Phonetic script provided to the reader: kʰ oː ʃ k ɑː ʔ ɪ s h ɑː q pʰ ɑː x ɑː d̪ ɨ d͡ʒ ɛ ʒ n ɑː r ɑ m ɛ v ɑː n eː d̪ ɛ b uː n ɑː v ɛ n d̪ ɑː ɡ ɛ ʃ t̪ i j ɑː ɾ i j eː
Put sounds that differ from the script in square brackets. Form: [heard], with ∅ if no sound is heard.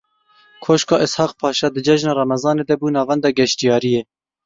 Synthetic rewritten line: kʰ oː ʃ k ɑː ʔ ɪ s h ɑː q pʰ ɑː [ʃ] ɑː d̪ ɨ d͡ʒ ɛ ʒ n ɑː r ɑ m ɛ [z] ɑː n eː d̪ ɛ b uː n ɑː v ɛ n d̪ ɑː ɡ ɛ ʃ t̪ i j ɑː ɾ i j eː